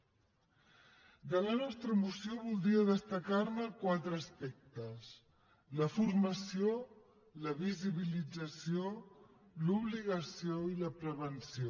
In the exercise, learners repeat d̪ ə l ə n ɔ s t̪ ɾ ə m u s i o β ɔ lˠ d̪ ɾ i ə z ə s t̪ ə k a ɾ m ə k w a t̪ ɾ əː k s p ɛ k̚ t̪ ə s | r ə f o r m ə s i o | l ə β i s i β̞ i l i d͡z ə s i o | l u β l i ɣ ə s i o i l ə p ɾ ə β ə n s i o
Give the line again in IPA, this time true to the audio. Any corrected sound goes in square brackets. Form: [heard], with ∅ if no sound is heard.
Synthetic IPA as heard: d̪ ə l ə n ɔ s t̪ ɾ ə m u s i o β [u] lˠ d̪ ɾ i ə [ð] ə s t̪ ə k a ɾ m ə k w a t̪ ɾ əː [∅] s p ɛ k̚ t̪ ə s | [l] ə f [u] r m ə s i o | l ə β i [z] i β̞ i l i d͡z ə s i o | l u β l i ɣ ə s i o i l ə p ɾ ə β ə n s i o